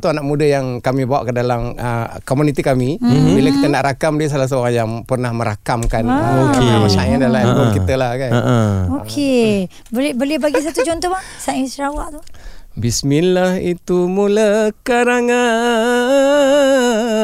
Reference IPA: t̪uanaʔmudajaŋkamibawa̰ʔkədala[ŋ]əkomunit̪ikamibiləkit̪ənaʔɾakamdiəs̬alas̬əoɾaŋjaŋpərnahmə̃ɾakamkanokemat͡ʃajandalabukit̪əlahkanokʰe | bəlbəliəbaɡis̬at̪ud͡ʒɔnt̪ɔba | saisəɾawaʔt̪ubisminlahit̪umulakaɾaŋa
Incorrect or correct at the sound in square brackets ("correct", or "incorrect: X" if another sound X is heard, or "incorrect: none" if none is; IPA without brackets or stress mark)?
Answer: incorrect: m